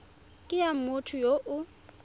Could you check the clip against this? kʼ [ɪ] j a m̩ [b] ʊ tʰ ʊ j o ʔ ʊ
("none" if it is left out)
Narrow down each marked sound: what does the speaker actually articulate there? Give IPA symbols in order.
ɪ, m

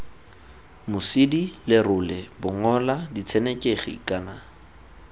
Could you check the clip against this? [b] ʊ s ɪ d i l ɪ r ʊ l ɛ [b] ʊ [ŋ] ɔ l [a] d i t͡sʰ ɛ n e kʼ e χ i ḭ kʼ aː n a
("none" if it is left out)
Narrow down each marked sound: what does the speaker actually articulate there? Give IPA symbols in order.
m, b, ŋ, a

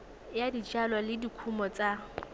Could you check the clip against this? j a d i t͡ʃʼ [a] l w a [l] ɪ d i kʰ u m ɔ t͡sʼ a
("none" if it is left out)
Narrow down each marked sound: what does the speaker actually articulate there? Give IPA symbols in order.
a, l

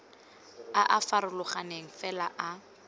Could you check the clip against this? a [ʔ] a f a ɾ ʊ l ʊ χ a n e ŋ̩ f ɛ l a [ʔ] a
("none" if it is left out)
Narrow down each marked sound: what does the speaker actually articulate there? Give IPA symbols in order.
ʔ, ʔ

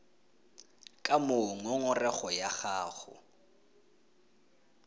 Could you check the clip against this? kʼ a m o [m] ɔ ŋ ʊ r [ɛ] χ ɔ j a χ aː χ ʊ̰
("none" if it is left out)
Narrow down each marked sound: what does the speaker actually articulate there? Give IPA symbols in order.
ŋ, ɛ

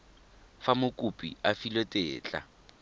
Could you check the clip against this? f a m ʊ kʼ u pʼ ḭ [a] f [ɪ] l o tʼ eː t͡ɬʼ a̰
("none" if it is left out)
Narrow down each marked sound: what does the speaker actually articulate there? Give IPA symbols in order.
a, i

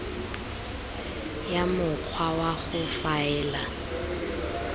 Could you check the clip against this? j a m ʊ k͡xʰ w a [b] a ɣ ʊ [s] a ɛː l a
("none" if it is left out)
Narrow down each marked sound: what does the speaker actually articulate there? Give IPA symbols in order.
w, f

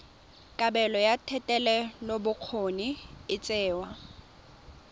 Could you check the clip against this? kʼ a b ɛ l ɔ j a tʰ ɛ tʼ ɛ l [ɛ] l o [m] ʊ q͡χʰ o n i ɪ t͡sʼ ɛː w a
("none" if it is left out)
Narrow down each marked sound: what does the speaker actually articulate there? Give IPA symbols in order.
ɛ, b

